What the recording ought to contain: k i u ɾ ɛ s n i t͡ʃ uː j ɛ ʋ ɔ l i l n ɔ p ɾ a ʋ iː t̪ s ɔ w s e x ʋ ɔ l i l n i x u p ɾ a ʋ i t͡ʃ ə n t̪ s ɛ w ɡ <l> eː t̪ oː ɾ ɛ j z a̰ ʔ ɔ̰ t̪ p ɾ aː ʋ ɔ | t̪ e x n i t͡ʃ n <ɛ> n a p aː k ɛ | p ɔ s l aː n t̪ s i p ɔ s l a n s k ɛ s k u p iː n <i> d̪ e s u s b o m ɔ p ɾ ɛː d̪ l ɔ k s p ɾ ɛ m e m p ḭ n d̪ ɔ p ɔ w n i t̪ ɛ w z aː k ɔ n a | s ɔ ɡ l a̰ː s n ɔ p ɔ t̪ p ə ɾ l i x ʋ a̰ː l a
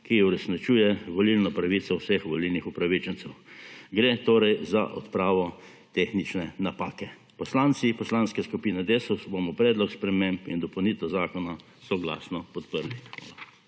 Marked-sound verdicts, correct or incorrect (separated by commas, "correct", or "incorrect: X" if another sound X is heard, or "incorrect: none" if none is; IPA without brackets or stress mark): incorrect: ɾ, correct, incorrect: ɛ